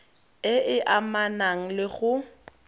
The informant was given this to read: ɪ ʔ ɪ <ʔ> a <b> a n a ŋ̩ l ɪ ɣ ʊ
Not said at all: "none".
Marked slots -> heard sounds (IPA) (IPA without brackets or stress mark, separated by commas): ʔ, m